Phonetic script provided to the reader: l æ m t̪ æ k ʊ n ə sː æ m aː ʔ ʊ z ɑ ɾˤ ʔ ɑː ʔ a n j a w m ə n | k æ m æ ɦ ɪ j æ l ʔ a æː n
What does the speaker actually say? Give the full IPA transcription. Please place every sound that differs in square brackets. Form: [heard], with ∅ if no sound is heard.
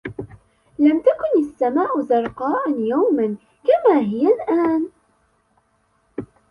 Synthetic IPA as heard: l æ m t̪ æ k ʊ n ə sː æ m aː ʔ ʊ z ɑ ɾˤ [q] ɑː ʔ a n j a w m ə n | k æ m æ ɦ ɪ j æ l ʔ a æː n

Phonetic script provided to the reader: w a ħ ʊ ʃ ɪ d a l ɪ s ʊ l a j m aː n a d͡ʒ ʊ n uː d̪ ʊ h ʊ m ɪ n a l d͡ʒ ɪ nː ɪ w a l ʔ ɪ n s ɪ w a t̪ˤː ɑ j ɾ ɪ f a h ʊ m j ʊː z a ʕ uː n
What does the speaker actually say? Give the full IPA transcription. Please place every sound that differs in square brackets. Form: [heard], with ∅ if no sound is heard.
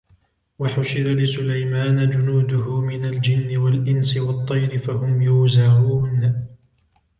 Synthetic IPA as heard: w a ħ ʊ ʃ ɪ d a l ɪ s ʊ l a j m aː n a d͡ʒ ʊ n uː d̪ ʊ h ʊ m ɪ n a l d͡ʒ ɪ nː ɪ w a l ʔ ɪ n s ɪ w [ɑ] t̪ˤː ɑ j ɾ ɪ f a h ʊ m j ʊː z a ʕ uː n

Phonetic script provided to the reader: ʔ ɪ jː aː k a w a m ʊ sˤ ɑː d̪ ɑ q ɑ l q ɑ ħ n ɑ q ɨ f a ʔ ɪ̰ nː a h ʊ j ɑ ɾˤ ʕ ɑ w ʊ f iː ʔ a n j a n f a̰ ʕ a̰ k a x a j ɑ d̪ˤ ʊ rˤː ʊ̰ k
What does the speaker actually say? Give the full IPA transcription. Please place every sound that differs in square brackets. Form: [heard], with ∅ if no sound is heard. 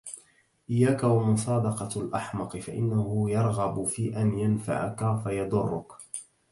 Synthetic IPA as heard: ʔ ɪ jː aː k a w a m ʊ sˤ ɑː d̪ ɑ q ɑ l [ʔ] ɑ ħ [m] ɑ q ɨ f a ʔ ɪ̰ nː a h ʊ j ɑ ɾˤ [ɣ] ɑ [b] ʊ f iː ʔ a n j a n f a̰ ʕ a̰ k a [f] a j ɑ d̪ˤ ʊ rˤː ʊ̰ k

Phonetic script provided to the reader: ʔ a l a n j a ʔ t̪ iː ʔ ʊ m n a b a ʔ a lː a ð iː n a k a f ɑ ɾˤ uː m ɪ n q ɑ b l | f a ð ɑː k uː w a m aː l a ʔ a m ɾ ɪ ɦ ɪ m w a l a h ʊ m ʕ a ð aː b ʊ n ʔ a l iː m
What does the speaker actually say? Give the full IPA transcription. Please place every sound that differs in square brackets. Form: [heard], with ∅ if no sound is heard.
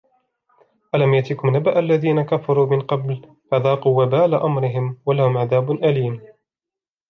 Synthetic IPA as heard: ʔ a l a [m] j a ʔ t̪ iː [k] ʊ m n a b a ʔ a lː a ð iː n a k a f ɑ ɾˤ uː m ɪ n q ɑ b l | f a ð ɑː [q] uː w a [b] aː l a ʔ a m ɾ ɪ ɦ ɪ m w a l a h ʊ m ʕ a ð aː b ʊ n ʔ a l iː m

